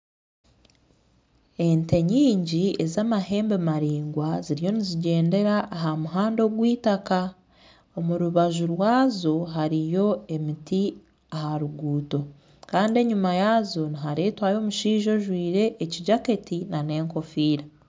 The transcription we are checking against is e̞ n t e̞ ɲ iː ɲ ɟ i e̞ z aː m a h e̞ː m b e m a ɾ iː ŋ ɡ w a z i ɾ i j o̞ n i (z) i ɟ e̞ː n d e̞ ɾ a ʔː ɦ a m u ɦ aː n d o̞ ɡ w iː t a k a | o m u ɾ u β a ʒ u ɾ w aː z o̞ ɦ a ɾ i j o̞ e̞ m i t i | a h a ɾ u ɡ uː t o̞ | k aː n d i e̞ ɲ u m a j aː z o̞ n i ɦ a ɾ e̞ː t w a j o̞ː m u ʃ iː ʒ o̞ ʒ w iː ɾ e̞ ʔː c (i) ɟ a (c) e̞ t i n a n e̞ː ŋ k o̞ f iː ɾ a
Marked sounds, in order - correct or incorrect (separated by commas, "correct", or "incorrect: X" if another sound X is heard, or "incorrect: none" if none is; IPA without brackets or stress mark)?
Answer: correct, correct, incorrect: k